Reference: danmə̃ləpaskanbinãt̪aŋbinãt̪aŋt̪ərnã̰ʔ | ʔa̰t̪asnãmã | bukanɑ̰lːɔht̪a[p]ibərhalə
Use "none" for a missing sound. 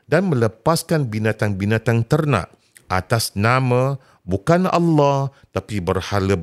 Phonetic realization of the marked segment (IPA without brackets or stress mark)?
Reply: p